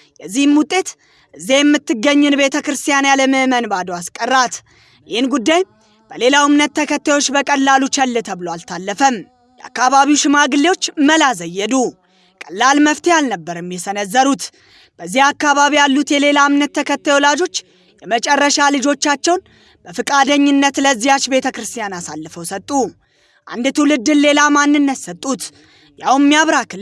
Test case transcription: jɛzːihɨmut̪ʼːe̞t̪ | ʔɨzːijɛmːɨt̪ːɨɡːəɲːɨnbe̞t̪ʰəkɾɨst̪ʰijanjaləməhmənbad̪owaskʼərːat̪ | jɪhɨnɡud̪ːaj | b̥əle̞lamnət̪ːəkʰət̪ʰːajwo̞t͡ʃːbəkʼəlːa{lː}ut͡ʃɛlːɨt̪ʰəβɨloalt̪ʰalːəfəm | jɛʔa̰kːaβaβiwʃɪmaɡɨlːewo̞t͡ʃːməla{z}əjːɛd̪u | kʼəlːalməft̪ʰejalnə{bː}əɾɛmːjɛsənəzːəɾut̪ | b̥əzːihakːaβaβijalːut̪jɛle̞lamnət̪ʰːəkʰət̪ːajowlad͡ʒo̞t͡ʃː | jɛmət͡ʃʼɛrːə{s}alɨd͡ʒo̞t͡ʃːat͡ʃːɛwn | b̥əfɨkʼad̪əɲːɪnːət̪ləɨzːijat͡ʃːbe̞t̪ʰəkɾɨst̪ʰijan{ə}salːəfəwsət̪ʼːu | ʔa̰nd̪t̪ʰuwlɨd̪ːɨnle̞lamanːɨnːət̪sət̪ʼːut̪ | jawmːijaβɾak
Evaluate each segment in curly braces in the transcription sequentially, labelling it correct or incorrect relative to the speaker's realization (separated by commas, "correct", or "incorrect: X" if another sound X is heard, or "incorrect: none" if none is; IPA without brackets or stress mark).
incorrect: l, correct, correct, incorrect: ʃ, incorrect: a